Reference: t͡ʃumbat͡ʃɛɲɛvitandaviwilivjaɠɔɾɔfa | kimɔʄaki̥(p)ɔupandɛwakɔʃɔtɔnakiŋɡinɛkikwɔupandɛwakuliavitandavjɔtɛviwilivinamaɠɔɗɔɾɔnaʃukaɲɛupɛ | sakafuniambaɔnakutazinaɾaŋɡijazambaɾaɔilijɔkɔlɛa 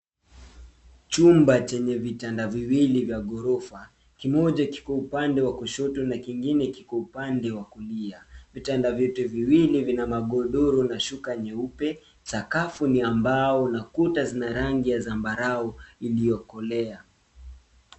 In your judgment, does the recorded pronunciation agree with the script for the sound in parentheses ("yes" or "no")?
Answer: no